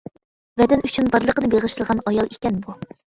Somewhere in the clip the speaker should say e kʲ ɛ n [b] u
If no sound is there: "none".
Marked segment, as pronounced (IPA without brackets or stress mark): b